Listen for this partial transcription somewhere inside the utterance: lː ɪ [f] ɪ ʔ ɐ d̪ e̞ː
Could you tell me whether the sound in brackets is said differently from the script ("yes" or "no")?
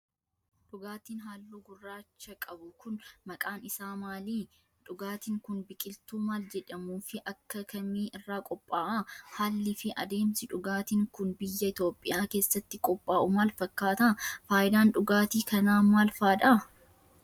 no